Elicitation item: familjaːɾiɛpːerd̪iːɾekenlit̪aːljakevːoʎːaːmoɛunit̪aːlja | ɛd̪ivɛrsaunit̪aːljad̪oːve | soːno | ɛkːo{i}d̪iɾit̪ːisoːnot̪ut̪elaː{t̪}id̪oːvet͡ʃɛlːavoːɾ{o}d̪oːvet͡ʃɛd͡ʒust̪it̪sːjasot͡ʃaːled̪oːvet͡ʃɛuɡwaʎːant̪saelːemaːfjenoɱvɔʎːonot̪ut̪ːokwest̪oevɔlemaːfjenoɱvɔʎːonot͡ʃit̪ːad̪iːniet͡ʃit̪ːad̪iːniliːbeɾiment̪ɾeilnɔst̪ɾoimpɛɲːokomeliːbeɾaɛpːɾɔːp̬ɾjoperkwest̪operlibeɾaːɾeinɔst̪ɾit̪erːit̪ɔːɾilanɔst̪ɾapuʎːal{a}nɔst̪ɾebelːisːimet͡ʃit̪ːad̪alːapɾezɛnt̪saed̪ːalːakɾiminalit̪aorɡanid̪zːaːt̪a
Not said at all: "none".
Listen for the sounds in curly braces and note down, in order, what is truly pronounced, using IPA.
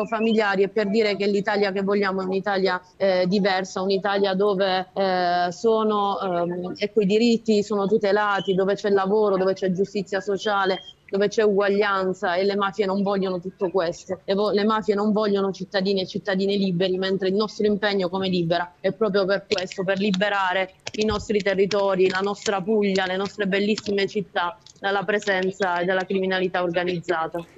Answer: i, t̪, o, e

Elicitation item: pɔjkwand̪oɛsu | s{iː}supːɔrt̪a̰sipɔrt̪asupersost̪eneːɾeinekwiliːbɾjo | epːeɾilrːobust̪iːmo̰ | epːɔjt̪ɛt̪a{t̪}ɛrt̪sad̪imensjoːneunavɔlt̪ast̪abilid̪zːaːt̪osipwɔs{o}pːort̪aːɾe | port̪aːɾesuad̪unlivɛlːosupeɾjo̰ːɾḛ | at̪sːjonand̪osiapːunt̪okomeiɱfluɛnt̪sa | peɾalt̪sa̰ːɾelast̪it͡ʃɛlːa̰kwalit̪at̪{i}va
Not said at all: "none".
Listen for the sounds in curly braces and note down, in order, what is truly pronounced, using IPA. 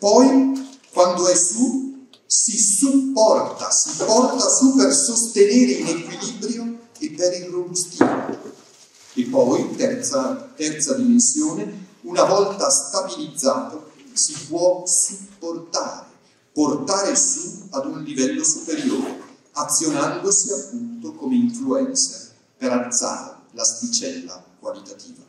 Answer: i, t̪, u, iː

